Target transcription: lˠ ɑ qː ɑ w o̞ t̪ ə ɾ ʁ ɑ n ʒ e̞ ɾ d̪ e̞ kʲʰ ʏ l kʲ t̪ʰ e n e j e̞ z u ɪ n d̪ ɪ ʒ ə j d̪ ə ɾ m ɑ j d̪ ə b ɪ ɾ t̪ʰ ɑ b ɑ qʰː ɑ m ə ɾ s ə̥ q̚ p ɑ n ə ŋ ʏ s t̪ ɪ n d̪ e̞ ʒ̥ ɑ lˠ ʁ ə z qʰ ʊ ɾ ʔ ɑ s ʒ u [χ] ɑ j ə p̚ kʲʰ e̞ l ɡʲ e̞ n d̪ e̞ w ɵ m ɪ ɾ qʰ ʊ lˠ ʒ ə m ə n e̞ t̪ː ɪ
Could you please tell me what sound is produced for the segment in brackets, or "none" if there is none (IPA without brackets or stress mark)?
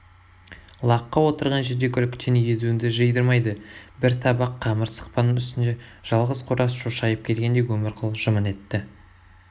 ʃ